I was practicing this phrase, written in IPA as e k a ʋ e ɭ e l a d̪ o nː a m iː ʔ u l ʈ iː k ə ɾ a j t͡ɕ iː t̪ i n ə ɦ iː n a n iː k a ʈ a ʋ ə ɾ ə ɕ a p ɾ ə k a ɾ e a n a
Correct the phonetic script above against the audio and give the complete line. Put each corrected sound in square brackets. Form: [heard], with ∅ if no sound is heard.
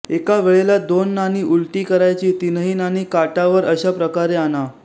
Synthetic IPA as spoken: e k a ʋ e ɭ e l a d̪ o nː a [n] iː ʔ u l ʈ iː k ə ɾ a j t͡ɕ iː t̪ i n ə ɦ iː n a n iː k a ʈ a ʋ ə ɾ ə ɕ a p ɾ ə k a ɾ e a n a

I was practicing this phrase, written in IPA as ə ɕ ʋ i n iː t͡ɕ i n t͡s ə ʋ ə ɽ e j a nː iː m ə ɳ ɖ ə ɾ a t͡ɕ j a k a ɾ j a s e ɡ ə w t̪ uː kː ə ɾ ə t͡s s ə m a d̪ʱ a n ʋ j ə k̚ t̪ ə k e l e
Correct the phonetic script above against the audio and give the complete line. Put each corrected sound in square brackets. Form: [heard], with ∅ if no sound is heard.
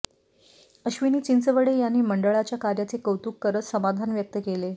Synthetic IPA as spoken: ə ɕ ʋ i n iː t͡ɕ i n t͡s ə ʋ ə ɽ e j a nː iː m ə ɳ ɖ ə [ɭ] a t͡ɕ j a k a ɾ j a [t͡s] e [k] ə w t̪ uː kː ə ɾ ə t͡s s ə m a d̪ʱ a n ʋ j ə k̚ t̪ ə k e l e

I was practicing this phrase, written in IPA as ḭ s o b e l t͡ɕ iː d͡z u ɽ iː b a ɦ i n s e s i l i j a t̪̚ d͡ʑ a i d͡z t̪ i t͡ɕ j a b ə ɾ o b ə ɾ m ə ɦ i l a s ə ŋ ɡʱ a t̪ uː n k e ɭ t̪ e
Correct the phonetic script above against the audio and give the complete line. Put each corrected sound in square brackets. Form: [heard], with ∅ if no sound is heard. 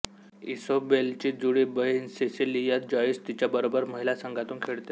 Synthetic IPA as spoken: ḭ s o b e l t͡ɕ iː d͡z u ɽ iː b [ə] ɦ i n s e s i l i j a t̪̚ d͡ʑ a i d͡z t̪ i t͡ɕ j a b ə ɾ o b ə ɾ m ə ɦ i l a s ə ŋ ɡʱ a t̪ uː n [kʰ] e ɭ t̪ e

